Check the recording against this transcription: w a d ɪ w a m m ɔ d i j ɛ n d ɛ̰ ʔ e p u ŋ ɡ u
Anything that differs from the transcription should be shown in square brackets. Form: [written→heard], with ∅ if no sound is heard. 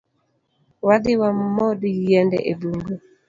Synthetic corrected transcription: w a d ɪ w a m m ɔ d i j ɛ n d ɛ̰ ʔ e [p→b] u ŋ ɡ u